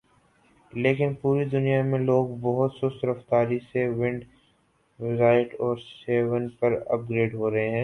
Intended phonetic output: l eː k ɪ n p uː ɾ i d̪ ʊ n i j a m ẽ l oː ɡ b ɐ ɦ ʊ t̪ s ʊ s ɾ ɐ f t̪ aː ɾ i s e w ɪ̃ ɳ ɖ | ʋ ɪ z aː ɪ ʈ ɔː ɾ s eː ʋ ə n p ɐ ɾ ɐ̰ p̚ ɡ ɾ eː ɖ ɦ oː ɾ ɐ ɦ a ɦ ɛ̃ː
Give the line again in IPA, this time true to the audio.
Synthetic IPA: l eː k ɪ n p uː ɾ i d̪ ʊ n i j a m ẽ l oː ɡ b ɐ ɦ ʊ t̪ s ʊ s ɾ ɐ f t̪ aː ɾ i s e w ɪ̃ ɳ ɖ | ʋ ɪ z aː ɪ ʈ ɔː ɾ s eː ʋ ə n p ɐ ɾ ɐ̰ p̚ ɡ ɾ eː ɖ ɦ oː ɾ ɐ ɦ e ɦ ɛ̃ː